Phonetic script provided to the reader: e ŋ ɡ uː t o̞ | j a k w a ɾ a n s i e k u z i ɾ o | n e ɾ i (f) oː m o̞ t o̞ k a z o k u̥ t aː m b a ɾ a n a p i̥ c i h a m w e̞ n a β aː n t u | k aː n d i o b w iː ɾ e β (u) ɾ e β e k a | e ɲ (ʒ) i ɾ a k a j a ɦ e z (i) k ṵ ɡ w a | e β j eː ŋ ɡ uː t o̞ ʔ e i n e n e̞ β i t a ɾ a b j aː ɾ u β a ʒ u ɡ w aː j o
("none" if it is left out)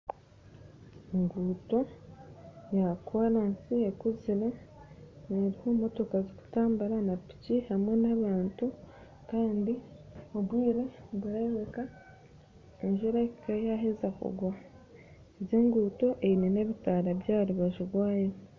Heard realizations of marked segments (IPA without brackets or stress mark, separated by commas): h, u, ʒ, a